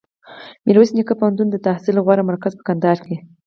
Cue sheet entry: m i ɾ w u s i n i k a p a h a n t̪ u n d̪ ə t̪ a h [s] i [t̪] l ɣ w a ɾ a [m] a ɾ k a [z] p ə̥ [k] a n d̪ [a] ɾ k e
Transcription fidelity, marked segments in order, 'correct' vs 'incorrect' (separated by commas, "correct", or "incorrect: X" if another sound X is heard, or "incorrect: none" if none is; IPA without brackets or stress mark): correct, incorrect: none, correct, correct, correct, incorrect: ɑ